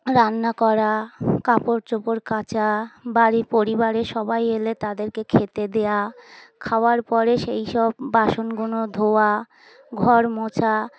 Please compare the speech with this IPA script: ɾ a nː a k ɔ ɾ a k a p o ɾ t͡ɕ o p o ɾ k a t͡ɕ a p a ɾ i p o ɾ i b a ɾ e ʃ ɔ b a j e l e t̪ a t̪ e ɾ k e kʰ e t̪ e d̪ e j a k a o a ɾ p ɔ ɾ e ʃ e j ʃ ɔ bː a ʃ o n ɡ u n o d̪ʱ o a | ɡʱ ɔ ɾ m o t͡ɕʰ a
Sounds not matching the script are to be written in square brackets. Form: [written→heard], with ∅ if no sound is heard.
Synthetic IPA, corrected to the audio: ɾ a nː a k ɔ ɾ a k a p o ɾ t͡ɕ o p o ɾ k a t͡ɕ a [p→b] a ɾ i p o ɾ i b a ɾ e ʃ ɔ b a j e l e t̪ a [t̪→d̪] e ɾ k e kʰ e t̪ e d̪ e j a [k→kʰ] a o a ɾ p ɔ ɾ e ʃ e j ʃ ɔ bː a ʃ o n ɡ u n o d̪ʱ o a | ɡʱ ɔ ɾ m o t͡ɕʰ a